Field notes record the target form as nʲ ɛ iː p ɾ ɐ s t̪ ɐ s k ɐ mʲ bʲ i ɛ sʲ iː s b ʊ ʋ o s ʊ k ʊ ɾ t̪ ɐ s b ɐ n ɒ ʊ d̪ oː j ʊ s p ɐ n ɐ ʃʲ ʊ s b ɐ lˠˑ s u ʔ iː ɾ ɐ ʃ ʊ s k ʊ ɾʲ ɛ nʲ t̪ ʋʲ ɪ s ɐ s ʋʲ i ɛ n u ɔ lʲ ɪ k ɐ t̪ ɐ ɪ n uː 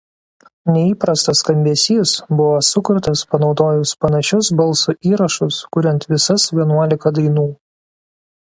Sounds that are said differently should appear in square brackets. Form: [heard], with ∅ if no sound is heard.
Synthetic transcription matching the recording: nʲ ɛ iː p ɾ ɐ s t̪ ɐ s k ɐ mʲ bʲ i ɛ sʲ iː s b ʊ ʋ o s ʊ k ʊ ɾ t̪ ɐ s [p] ɐ n ɒ ʊ d̪ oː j ʊ s p ɐ n ɐ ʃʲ ʊ s b ɐ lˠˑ s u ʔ iː ɾ ɐ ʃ ʊ s k ʊ ɾʲ ɛ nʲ t̪ ʋʲ ɪ s ɐ s ʋʲ i ɛ n u ɔ lʲ ɪ k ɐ [d̪] ɐ ɪ n uː